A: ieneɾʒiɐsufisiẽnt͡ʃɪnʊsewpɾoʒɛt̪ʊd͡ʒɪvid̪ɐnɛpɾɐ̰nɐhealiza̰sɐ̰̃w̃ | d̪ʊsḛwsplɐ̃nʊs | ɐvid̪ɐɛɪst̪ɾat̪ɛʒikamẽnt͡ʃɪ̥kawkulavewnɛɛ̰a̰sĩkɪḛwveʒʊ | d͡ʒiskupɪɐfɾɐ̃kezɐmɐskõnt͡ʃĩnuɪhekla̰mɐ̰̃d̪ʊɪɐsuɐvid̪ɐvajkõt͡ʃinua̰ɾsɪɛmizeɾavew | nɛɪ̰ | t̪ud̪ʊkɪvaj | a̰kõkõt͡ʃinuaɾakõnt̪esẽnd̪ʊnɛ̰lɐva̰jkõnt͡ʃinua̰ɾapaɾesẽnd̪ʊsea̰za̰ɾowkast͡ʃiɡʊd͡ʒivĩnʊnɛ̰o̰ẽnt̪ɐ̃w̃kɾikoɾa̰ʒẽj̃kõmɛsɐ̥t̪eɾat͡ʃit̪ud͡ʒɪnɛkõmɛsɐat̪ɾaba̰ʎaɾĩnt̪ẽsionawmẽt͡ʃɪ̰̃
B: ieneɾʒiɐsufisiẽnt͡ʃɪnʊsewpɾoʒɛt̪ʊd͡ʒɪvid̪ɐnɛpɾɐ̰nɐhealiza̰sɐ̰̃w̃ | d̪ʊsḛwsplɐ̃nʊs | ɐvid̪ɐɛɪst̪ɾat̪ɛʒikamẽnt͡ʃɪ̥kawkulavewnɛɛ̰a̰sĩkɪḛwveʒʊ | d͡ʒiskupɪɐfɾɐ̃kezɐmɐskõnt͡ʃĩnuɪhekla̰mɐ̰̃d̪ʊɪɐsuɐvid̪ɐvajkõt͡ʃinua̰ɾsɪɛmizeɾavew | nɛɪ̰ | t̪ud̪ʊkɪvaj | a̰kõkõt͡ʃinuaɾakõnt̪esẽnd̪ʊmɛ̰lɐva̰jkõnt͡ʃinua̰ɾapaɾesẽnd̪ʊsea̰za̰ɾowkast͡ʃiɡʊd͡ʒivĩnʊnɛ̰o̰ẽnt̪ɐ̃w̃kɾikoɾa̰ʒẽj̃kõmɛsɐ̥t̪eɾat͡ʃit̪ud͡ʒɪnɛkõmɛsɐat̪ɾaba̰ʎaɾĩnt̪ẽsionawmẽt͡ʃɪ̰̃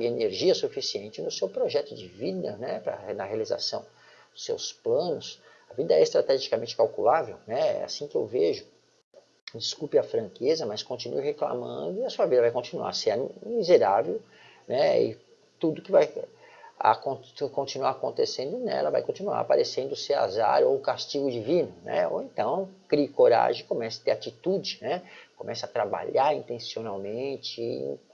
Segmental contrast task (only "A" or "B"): A